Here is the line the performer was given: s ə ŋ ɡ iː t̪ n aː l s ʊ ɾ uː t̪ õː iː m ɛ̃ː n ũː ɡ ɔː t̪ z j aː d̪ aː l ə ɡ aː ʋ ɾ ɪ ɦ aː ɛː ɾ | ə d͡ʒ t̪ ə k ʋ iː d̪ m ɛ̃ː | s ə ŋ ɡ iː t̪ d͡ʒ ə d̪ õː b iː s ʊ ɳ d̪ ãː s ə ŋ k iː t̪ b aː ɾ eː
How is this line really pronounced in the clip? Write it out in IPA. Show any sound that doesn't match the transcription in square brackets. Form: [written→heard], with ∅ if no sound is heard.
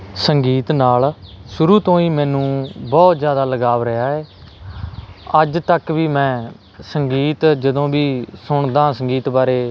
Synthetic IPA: s ə ŋ ɡ iː t̪ n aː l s ʊ ɾ uː t̪ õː iː m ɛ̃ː n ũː [ɡ→b] ɔː t̪ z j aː d̪ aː l ə ɡ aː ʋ ɾ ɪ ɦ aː ɛː [ɾ→∅] | ə d͡ʒ t̪ ə k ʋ iː [d̪→∅] m ɛ̃ː | s ə ŋ ɡ iː t̪ d͡ʒ ə d̪ õː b iː s ʊ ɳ d̪ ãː s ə ŋ [k→ɡ] iː t̪ b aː ɾ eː